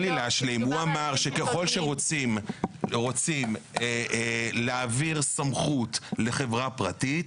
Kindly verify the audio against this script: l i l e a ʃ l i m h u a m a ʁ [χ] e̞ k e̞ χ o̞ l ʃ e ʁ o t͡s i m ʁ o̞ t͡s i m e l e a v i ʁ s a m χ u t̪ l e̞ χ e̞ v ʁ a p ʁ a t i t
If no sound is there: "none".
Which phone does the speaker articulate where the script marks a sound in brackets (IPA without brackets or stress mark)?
ʃ